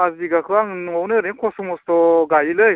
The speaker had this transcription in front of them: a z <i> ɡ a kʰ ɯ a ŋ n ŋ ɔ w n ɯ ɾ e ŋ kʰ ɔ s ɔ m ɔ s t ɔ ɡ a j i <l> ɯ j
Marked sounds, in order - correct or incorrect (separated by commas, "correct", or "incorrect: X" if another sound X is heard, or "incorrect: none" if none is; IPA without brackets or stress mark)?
correct, correct